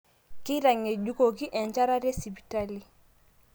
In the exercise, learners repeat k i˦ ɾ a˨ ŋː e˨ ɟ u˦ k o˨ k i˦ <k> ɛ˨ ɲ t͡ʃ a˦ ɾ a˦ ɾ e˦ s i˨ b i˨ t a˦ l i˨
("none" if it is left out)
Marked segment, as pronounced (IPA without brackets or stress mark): ʔ